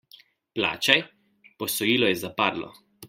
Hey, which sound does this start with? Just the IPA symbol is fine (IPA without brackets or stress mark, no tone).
p